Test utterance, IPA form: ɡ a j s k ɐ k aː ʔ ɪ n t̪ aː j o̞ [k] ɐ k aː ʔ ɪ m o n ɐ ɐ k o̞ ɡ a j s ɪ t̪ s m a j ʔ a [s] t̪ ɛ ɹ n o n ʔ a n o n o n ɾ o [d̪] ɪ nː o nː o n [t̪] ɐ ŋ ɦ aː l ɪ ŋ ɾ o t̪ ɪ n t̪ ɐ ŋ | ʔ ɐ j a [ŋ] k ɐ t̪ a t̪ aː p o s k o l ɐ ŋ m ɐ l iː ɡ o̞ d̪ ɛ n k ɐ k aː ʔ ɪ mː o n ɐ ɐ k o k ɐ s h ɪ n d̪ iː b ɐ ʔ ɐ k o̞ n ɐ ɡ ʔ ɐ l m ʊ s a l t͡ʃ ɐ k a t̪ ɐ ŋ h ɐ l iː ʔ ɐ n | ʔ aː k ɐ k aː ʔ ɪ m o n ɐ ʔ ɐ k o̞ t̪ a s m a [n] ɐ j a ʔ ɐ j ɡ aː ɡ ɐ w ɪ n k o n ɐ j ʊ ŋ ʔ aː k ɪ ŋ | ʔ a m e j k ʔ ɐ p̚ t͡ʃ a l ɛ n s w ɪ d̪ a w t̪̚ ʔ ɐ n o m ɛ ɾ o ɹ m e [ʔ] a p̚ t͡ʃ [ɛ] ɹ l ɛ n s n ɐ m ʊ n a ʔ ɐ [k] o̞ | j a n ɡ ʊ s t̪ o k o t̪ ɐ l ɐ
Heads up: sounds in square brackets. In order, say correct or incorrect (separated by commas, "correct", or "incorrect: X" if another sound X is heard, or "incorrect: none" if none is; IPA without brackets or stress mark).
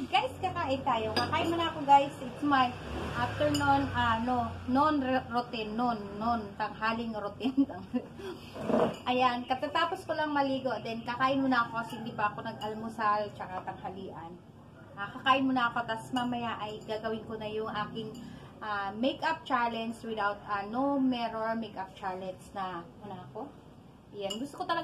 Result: correct, incorrect: f, incorrect: t̪, correct, incorrect: n, incorrect: m, incorrect: k, incorrect: a, correct